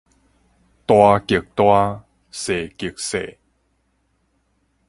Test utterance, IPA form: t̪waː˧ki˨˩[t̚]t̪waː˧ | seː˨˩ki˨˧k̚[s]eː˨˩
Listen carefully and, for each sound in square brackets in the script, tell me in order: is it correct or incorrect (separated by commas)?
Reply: incorrect, correct